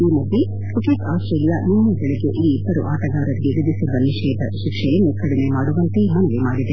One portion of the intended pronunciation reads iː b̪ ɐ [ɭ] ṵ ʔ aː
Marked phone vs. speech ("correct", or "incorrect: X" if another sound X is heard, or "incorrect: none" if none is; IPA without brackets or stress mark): incorrect: ɾ